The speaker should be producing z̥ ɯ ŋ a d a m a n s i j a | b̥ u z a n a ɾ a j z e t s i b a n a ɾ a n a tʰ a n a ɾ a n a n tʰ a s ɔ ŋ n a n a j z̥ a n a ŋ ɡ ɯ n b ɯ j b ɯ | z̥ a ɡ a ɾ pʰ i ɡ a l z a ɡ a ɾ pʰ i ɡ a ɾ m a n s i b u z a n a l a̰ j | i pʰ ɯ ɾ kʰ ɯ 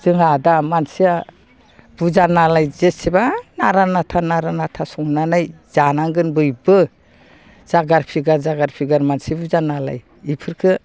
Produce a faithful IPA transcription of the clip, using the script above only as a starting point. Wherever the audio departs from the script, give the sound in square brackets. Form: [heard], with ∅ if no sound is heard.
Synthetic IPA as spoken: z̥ ɯ ŋ a d a m a n s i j a | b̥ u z a n a [l] a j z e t s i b a n a ɾ a n a tʰ a n a ɾ a n a [∅] tʰ a s ɔ ŋ n a n a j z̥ a n a ŋ ɡ ɯ n b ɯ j b ɯ | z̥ a ɡ a ɾ pʰ i ɡ a [ɾ] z a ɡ a ɾ pʰ i ɡ a ɾ m a n s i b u z a n a l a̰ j | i pʰ ɯ ɾ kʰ ɯ